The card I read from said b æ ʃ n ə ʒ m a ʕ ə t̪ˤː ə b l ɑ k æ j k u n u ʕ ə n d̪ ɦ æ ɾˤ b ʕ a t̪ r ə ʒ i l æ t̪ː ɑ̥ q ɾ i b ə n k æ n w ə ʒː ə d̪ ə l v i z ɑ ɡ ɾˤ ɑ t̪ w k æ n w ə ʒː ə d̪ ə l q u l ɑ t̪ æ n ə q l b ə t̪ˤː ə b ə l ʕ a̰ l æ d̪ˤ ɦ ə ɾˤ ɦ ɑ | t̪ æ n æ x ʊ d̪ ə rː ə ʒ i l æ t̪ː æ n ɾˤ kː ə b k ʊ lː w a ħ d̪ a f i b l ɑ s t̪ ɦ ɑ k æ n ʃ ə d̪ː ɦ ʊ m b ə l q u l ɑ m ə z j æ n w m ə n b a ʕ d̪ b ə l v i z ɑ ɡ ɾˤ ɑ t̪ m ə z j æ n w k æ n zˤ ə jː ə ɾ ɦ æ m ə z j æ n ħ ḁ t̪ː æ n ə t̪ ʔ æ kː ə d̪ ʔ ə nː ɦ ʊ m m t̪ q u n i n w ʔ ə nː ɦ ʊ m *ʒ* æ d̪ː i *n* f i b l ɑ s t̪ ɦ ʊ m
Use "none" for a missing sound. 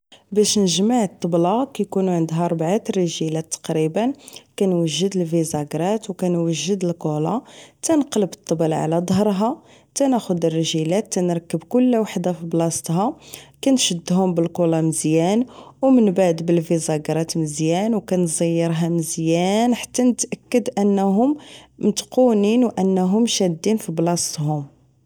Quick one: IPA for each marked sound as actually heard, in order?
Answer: ʃ, n

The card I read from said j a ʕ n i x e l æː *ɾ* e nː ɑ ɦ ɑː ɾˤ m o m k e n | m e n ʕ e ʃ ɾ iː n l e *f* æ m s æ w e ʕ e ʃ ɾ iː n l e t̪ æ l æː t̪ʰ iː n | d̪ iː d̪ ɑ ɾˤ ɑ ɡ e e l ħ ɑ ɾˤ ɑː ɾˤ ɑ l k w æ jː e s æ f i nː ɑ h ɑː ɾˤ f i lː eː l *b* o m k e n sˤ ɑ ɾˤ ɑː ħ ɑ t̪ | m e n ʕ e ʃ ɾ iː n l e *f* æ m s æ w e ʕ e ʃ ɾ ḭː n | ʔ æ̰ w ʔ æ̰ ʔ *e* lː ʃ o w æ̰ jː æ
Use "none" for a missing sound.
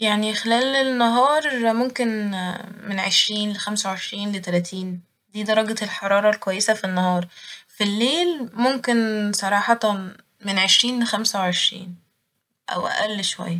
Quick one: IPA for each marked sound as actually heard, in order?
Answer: l, x, m, x, æ

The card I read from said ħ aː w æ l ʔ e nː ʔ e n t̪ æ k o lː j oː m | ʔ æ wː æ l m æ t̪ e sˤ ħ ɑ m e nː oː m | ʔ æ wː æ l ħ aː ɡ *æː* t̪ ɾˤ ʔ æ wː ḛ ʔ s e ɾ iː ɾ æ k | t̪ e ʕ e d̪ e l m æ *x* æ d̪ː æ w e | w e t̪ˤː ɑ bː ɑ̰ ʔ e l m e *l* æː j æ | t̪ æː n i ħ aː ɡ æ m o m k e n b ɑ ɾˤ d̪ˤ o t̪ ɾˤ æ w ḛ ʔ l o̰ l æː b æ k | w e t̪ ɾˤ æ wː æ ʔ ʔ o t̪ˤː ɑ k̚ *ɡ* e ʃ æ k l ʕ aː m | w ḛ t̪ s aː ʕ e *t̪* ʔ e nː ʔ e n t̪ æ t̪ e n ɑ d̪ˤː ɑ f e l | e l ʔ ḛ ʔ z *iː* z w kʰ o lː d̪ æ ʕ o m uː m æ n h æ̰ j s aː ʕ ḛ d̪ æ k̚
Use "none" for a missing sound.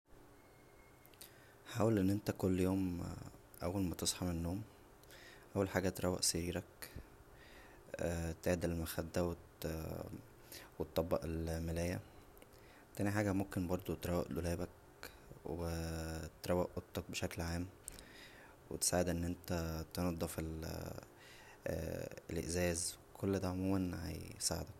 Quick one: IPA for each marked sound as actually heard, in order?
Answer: æ, x, l, b, d̪, æː

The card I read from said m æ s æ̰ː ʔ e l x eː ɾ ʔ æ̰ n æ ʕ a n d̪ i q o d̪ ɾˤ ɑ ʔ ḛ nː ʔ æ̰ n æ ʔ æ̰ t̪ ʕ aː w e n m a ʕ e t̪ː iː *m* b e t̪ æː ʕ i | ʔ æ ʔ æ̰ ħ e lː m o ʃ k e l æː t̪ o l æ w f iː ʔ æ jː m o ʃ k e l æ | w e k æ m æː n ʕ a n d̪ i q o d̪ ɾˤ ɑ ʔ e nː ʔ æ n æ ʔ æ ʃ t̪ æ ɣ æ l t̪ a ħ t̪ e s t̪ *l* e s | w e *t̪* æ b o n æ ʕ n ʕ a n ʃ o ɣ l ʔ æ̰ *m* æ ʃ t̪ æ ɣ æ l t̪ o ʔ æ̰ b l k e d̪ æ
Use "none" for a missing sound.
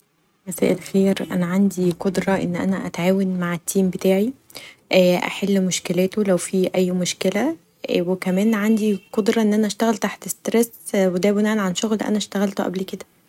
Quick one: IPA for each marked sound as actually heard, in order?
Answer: m, ɾ, d̪, n

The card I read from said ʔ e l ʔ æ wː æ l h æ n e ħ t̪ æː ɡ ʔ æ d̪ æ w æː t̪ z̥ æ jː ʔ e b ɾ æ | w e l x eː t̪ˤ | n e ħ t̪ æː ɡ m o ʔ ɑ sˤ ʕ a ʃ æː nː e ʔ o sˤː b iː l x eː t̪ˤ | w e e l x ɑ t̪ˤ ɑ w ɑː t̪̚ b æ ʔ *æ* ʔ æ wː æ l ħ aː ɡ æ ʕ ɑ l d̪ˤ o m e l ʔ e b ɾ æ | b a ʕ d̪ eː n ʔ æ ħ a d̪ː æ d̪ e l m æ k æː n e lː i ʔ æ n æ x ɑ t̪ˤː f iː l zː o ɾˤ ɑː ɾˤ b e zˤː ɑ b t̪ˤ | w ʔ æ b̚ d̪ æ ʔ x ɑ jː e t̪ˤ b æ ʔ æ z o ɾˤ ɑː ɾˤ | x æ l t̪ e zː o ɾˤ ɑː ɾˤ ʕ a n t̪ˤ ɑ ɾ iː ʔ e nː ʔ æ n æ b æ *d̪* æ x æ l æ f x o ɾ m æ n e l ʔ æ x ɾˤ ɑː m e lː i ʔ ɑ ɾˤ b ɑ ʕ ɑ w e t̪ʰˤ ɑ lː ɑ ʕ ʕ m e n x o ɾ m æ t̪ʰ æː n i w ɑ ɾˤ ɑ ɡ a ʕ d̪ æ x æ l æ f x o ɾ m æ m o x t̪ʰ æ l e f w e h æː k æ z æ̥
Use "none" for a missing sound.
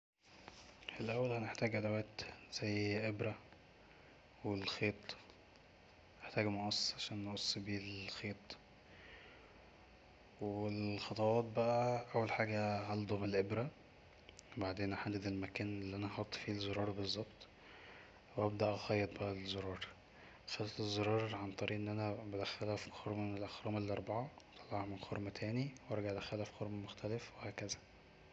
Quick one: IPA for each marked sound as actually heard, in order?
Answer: æ, d̪

